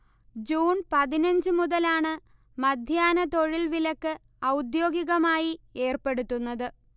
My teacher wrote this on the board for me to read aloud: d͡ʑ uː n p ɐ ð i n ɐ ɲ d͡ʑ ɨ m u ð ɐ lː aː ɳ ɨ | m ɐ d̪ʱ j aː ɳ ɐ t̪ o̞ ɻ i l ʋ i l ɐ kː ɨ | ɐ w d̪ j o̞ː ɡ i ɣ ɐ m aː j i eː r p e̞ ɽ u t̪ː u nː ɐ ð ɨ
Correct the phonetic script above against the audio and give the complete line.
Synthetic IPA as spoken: d͡ʑ uː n p ɐ ð i n ɐ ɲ d͡ʑ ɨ m u ð ɐ l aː ɳ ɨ | m ɐ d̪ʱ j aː n ɐ t̪ o̞ ɻ i l ʋ i l ɐ kː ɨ | ɐ w d̪ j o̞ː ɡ i ɣ ɐ m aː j i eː r p e̞ ɽ u t̪ː u nː ɐ ð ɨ